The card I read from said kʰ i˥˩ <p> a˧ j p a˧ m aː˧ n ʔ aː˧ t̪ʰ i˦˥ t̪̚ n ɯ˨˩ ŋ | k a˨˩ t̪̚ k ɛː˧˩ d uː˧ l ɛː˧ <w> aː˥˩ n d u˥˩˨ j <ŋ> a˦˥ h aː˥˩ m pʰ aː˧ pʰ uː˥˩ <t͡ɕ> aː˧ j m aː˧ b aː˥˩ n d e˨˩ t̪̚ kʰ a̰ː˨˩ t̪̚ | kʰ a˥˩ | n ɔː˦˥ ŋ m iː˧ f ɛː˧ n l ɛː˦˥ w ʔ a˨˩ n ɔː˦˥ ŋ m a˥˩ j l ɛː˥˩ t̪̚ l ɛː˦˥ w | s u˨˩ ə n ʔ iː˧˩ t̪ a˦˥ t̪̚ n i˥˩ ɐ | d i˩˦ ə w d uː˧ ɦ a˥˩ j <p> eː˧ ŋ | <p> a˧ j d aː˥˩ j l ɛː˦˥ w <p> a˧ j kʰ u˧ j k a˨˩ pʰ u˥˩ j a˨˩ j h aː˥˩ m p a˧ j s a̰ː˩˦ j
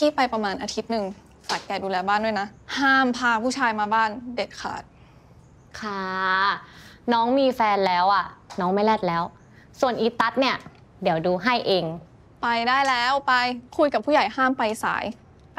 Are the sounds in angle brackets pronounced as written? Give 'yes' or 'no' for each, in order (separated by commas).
yes, no, no, no, no, yes, yes